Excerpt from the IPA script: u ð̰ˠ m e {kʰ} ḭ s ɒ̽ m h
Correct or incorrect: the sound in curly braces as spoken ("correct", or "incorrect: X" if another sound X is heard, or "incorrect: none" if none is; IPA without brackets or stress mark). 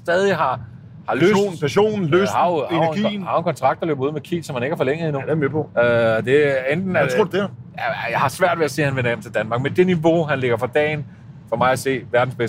correct